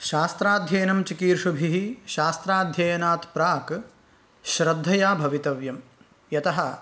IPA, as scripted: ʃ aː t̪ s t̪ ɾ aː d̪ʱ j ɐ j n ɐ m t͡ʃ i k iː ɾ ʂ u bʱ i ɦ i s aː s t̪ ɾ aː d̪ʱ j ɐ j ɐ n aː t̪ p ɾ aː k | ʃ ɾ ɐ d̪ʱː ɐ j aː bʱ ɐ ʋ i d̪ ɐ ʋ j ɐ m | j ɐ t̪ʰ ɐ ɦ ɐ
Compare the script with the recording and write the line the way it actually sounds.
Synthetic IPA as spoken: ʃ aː s t̪ ɾ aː d̪ʱ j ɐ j n ɐ m t͡ʃ i k iː ɾ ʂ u bʱ i ɦ i ʃ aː s t̪ ɾ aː d̪ʱ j ɐ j ɐ n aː t̪ p ɾ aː k | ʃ ɾ ɐ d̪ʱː ɐ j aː bʱ ɐ ʋ i t̪ ɐ ʋ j ɐ m | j ɐ t̪ ɐ ɦ ɐ

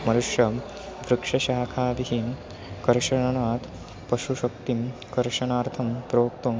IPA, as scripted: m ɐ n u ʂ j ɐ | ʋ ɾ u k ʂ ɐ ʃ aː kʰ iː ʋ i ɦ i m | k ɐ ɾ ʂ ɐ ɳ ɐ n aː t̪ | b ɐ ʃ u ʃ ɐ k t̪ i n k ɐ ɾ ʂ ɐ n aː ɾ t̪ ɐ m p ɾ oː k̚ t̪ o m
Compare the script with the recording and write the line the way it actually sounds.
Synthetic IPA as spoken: m ɐ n u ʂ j ɐ | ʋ ɾ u k ʂ ɐ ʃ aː kʰ aː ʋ i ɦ i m | k ɐ ɾ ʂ ɐ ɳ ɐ n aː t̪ | p ɐ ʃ u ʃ ɐ k t̪ i m k ɐ ɾ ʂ ɐ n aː ɾ t̪ʰ ɐ m p ɾ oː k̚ t̪ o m

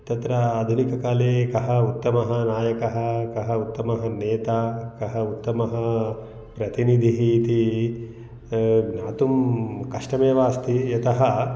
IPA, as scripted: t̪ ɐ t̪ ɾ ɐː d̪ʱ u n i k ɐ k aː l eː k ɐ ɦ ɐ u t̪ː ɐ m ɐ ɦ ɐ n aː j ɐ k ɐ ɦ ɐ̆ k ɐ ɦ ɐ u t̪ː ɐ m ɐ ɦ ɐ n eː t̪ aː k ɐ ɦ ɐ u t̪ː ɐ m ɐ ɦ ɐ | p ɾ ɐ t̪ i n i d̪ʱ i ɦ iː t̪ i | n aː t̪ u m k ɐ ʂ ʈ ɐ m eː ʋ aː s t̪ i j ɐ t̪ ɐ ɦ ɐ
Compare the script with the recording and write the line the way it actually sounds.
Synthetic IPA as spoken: t̪ ɐ t̪ ɾ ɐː d̪ʱ u n i k ɐ k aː l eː k ɐ ɦ ɐ u t̪ː ɐ m ɐ ɦ ɐ n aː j ɐ k ɐ ɦ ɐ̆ k ɐ ɦ ɐ u t̪ː ɐ m ɐ ɦ ɐ n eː t̪ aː k ɐ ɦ ɐ u t̪ː ɐ m ɐ ɦ ɐ | p ɾ ɐ t̪ i n i d̪ʱ i ɦ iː t̪ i | n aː t̪ u m k ɐ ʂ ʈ ɐ m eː ʋ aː s t̪ i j ɐ t̪ ɐ ɦ ɐ

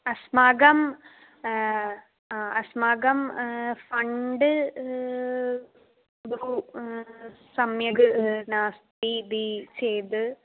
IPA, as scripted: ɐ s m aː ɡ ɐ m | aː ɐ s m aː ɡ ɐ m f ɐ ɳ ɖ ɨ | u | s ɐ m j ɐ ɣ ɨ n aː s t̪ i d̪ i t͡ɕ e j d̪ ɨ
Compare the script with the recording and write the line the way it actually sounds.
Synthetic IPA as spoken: ɐ s m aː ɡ ɐ m | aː ɐ s m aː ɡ ɐ m f ɐ ɳ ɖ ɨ | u | s ɐ m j ɐ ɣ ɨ n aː s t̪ i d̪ i t͡ɕ e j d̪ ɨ

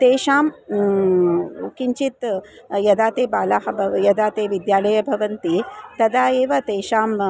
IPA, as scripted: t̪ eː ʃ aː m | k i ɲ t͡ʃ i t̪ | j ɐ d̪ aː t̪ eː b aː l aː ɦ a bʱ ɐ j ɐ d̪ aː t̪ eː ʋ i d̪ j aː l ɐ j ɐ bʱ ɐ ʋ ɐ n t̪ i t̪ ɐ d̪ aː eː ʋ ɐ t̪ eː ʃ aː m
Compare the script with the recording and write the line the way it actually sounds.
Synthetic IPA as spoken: t̪ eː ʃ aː m | k i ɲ t͡ʃ i t̪ | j ɐ d̪ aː t̪ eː b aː l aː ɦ ɐ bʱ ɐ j ɐ d̪ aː t̪ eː ʋ i d̪ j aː l ɐ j ɐ bʱ ɐ ʋ ɐ n t̪ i t̪ ɐ d̪ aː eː ʋ ɐ t̪ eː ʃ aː m

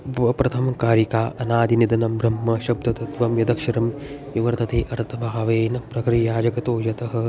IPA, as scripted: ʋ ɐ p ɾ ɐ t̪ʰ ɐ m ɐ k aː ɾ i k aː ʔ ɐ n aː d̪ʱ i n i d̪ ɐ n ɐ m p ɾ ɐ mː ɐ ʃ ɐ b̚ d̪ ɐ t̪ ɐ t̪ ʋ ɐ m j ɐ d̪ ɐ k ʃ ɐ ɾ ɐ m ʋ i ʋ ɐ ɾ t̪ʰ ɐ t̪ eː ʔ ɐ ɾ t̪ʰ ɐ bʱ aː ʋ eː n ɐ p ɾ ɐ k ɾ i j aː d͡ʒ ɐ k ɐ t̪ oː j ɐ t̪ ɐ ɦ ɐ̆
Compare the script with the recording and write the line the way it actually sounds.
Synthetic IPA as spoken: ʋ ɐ p ɾ ɐ t̪ʰ ɐ m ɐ k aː ɾ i k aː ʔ ɐ n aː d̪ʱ i n i d̪ ɐ n ɐ m b ɾ ɐ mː ɐ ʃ ɐ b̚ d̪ ɐ t̪ ɐ t̪ ʋ ɐ m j ɐ d̪ ɐ k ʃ ɐ ɾ ɐ m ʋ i ʋ ɐ ɾ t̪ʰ ɐ t̪ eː ʔ ɐ ɾ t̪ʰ ɐ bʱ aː ʋ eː n ɐ p ɾ ɐ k ɾ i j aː d͡ʒ ɐ k ɐ t̪ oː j ɐ t̪ ɐ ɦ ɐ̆

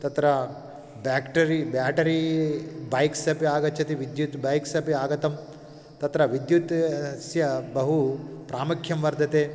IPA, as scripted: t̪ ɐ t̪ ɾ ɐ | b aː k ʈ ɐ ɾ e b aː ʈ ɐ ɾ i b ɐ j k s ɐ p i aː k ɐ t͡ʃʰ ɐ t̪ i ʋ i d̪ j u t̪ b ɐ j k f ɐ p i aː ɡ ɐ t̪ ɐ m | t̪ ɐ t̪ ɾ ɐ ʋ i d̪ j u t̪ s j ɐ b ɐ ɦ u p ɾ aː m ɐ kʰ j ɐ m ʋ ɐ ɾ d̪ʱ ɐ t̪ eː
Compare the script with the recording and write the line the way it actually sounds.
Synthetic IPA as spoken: t̪ ɐ t̪ ɾ ɐ | b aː k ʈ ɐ ɾ i b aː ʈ ɐ ɾ i b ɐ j k s ɐ p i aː ɡ ɐ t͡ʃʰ ɐ t̪ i ʋ i d̪ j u t̪ b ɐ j k s ɐ p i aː ɡ ɐ t̪ ɐ m | t̪ ɐ t̪ ɾ ɐ ʋ i d̪ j u t̪ s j ɐ b ɐ ɦ u p ɾ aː m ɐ kʰ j ɐ m ʋ ɐ ɾ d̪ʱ ɐ t̪ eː

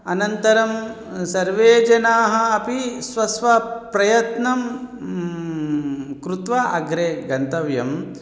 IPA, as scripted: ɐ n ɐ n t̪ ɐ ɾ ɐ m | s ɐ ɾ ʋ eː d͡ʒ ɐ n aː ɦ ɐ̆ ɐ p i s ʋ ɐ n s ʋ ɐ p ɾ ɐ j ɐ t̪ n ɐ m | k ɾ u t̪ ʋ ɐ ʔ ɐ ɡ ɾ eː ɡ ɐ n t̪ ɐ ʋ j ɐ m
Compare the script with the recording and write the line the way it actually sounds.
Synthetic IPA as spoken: ɐ n ɐ n t̪ ɐ ɾ ɐ m | s ɐ ɾ ʋ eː d͡ʒ ɐ n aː ɦ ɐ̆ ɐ p i s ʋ ɐ s ʋ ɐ p ɾ ɐ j ɐ t̪ n ɐ m | k ɾ u t̪ ʋ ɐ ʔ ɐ ɡ ɾ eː ɡ ɐ n t̪ ɐ ʋ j ɐ m

